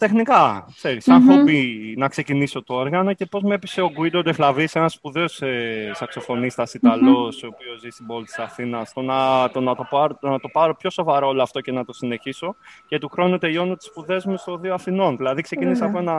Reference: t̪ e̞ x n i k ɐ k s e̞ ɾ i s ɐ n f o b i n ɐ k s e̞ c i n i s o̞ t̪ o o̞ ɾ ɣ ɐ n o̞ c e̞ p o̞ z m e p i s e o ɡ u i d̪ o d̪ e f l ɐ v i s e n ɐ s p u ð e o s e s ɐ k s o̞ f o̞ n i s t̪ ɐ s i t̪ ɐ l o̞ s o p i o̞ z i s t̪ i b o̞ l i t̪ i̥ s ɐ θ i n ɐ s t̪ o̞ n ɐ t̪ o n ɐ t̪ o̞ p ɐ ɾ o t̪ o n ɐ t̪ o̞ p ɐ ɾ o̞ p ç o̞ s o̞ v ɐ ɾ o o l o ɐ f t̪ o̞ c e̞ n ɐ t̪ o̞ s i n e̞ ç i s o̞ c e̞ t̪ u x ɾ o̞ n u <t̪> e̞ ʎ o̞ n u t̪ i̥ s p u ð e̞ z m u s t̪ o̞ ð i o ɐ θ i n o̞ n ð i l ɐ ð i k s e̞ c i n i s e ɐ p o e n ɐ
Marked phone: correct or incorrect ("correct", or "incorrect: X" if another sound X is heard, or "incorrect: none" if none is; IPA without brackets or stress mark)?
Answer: correct